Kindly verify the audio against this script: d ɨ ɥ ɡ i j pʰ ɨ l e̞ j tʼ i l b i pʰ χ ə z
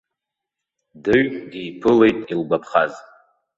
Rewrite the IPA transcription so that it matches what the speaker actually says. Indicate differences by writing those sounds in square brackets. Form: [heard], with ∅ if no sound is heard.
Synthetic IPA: d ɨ ɥ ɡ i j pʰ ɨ l e̞ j tʼ i l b [a] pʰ χ [a] z